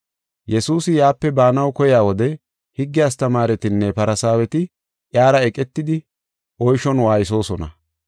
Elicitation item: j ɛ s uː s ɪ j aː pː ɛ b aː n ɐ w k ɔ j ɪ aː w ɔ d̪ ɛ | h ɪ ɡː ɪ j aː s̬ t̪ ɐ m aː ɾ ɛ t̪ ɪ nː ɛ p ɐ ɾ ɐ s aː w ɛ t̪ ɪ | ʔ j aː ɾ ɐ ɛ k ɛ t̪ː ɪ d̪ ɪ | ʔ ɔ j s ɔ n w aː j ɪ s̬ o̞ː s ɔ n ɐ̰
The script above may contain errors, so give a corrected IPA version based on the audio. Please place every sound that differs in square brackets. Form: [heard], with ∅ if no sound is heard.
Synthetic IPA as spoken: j ɛ s uː s ɪ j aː pː ɛ b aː n ɐ w k ɔ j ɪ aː w ɔ d̪ ɛ | h ɪ ɡː ɪ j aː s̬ t̪ ɐ m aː ɾ ɛ t̪ ɪ nː ɛ p ɐ ɾ ɐ s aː w ɛ t̪ ɪ | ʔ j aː ɾ ɐ ɛ [kʼ] ɛ t̪ː ɪ d̪ ɪ | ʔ ɔ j [ʃ] ɔ n w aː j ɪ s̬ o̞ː s ɔ n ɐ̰

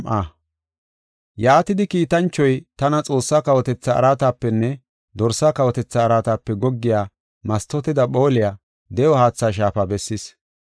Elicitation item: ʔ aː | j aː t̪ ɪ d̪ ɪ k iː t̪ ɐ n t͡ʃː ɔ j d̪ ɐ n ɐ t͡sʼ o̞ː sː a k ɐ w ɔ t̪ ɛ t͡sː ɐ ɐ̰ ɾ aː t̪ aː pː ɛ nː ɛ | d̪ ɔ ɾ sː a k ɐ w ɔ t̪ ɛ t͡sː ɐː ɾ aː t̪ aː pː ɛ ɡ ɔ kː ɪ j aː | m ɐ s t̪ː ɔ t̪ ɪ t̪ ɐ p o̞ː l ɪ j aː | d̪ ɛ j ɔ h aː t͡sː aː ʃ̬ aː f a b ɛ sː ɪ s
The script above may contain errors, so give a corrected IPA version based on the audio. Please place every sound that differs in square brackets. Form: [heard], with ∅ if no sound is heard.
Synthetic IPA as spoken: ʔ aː | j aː t̪ ɪ d̪ ɪ k iː t̪ ɐ n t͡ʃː ɔ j [t̪] ɐ n ɐ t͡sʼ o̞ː sː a k ɐ w ɔ t̪ ɛ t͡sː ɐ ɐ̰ ɾ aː t̪ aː pː ɛ nː ɛ | d̪ ɔ ɾ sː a k ɐ w ɔ t̪ ɛ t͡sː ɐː ɾ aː t̪ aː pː ɛ ɡ ɔ [ɡː] ɪ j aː | m ɐ s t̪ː ɔ t̪ ɪ [d̪] ɐ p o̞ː l ɪ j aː | d̪ ɛ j ɔ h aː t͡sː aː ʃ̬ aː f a b ɛ sː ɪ s

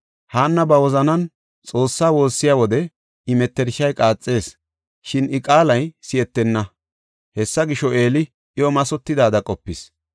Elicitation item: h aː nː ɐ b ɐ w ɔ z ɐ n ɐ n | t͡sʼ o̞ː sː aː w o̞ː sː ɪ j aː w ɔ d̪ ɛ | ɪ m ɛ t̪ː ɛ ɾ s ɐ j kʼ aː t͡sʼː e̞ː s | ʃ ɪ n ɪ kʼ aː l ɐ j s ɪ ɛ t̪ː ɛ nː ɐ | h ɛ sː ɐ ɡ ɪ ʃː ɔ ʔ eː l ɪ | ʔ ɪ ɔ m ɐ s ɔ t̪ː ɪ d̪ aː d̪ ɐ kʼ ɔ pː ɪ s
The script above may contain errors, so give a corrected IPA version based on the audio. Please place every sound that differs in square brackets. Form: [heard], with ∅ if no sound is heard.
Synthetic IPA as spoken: h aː nː ɐ b ɐ w ɔ z ɐ n ɐ n | t͡sʼ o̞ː sː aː w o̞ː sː ɪ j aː w ɔ d̪ ɛ | ɪ m ɛ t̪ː ɛ ɾ [ʃ] ɐ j kʼ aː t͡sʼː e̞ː s | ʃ ɪ n ɪ kʼ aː l ɐ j s ɪ ɛ t̪ː ɛ nː ɐ | h ɛ sː ɐ ɡ ɪ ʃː ɔ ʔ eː l ɪ | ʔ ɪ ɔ m ɐ s ɔ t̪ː ɪ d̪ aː d̪ ɐ kʼ ɔ pː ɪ s

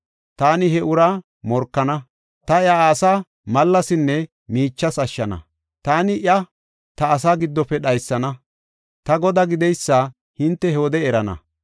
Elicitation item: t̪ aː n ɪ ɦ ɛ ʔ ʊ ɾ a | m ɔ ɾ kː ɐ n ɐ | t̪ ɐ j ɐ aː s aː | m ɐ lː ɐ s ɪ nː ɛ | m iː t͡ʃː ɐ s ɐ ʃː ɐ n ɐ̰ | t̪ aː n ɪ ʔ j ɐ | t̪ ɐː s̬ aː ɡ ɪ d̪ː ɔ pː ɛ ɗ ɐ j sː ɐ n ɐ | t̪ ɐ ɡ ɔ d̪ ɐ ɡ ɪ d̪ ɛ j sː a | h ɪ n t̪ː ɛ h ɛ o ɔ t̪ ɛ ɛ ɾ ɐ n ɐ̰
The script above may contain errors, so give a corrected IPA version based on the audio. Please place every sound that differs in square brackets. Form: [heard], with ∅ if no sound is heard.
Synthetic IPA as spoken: t̪ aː n ɪ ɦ ɛ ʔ ʊ ɾ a | m ɔ ɾ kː ɐ n ɐ | t̪ ɐ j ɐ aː s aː | m ɐ lː ɐ s ɪ nː ɛ | m iː t͡ʃː ɐ s ɐ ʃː ɐ n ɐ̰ | t̪ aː n ɪ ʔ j ɐ | t̪ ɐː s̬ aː ɡ ɪ d̪ː ɔ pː ɛ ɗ ɐ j sː ɐ n ɐ | t̪ ɐ ɡ ɔ d̪ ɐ ɡ ɪ d̪ ɛ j sː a | h ɪ n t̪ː ɛ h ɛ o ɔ [d̪] ɛ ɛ ɾ ɐ n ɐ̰

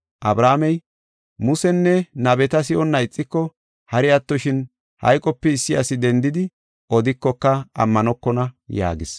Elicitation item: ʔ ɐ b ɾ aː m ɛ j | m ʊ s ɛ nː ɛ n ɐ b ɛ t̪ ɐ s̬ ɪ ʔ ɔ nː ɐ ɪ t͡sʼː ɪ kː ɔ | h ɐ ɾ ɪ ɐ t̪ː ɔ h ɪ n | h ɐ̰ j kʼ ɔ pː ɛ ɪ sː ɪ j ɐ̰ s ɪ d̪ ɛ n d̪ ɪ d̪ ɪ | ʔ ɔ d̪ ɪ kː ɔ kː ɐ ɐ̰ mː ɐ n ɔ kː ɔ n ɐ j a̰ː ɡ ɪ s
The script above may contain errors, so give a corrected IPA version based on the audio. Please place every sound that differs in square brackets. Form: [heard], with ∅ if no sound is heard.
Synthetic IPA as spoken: ʔ ɐ b ɾ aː m ɛ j | m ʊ s ɛ nː ɛ n ɐ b ɛ t̪ ɐ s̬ ɪ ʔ ɔ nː ɐ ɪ t͡sʼː ɪ kː ɔ | h ɐ ɾ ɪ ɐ t̪ː ɔ [ʃ] ɪ n | h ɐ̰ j kʼ ɔ pː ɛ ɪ sː ɪ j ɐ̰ s ɪ d̪ ɛ n d̪ ɪ d̪ ɪ | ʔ ɔ d̪ ɪ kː ɔ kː ɐ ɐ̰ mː ɐ n ɔ kː ɔ n ɐ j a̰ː ɡ ɪ s

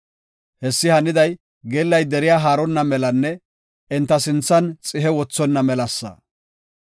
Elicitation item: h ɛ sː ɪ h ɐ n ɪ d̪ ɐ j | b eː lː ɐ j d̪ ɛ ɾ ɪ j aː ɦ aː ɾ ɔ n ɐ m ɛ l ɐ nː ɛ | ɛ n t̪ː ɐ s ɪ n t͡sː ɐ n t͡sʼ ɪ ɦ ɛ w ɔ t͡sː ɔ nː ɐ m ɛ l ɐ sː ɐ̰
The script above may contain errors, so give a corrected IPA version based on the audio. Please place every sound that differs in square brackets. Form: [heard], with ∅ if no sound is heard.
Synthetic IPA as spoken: h ɛ sː ɪ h ɐ n ɪ d̪ ɐ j | [ɡ] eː lː ɐ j d̪ ɛ ɾ ɪ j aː ɦ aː ɾ ɔ [nː] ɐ m ɛ l ɐ nː ɛ | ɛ n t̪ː ɐ s ɪ n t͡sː ɐ n t͡sʼ ɪ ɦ ɛ w ɔ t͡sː ɔ nː ɐ m ɛ l ɐ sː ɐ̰

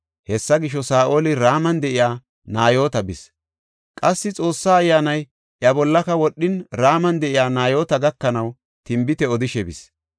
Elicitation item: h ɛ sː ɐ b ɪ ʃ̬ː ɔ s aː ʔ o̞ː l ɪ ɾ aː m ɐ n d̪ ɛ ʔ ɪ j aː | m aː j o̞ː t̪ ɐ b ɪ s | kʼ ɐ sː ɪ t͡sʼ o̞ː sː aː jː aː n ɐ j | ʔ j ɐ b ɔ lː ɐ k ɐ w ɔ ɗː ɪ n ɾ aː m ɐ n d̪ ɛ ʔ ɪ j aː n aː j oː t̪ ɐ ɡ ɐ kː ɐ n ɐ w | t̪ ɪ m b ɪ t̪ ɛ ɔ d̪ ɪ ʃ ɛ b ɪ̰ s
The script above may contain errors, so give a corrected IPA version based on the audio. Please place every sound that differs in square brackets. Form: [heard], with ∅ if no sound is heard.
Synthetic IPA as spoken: h ɛ sː ɐ [ɡ] ɪ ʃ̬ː ɔ s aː ʔ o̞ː l ɪ ɾ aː m ɐ n d̪ ɛ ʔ ɪ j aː | [n] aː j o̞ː t̪ ɐ b ɪ s | kʼ ɐ sː ɪ t͡sʼ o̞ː sː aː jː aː n ɐ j | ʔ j ɐ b ɔ lː ɐ k ɐ w ɔ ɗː ɪ n ɾ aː m ɐ n d̪ ɛ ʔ ɪ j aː n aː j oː t̪ ɐ ɡ ɐ kː ɐ n ɐ w | t̪ ɪ m b ɪ t̪ ɛ ɔ d̪ ɪ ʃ ɛ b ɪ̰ s

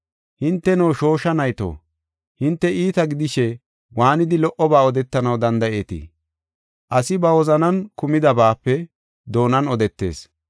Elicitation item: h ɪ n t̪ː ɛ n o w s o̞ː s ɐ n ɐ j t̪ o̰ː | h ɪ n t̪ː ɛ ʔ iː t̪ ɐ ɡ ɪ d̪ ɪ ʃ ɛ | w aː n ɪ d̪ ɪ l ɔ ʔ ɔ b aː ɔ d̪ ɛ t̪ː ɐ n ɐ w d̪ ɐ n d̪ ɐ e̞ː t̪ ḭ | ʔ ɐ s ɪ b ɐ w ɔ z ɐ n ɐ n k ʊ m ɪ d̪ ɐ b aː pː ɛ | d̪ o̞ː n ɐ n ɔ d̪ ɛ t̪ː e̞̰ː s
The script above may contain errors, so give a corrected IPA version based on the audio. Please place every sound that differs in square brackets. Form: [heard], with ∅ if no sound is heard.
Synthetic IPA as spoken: h ɪ n t̪ː ɛ n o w [ʃ] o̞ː [ʃ] ɐ n ɐ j t̪ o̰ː | h ɪ n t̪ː ɛ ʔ iː t̪ ɐ ɡ ɪ d̪ ɪ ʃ ɛ | w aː n ɪ d̪ ɪ l ɔ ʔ ɔ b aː ɔ d̪ ɛ t̪ː ɐ n ɐ w d̪ ɐ n d̪ ɐ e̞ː t̪ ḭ | ʔ ɐ s ɪ b ɐ w ɔ z ɐ n ɐ n k ʊ m ɪ d̪ ɐ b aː pː ɛ | d̪ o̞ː n ɐ n ɔ d̪ ɛ t̪ː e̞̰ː s

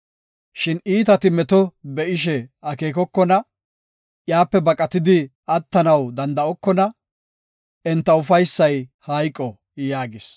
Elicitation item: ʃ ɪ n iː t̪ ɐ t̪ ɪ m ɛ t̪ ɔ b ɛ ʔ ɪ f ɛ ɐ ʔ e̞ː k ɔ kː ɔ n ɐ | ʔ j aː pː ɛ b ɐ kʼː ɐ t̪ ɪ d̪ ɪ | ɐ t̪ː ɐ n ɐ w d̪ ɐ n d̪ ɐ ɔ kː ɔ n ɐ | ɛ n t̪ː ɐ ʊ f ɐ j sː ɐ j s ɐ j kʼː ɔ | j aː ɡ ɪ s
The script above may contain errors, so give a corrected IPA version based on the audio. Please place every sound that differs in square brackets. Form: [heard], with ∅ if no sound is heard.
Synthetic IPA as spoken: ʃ ɪ n iː t̪ ɐ t̪ ɪ m ɛ t̪ ɔ b ɛ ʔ ɪ [ʃ] ɛ ɐ [k] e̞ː k ɔ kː ɔ n ɐ | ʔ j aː pː ɛ b ɐ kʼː ɐ t̪ ɪ d̪ ɪ | ɐ t̪ː ɐ n ɐ w d̪ ɐ n d̪ ɐ ɔ kː ɔ n ɐ | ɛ n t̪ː ɐ ʊ f ɐ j sː ɐ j [h] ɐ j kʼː ɔ | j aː ɡ ɪ s

